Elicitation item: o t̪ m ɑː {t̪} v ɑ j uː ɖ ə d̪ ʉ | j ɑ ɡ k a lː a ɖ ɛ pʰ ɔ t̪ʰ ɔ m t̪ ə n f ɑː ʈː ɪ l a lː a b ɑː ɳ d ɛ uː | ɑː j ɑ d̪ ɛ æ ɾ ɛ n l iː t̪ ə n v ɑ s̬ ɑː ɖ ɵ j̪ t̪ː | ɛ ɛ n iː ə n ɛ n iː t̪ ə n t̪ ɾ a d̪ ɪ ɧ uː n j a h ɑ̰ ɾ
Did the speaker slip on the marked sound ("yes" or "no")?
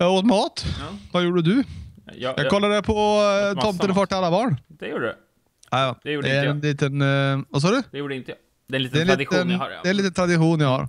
no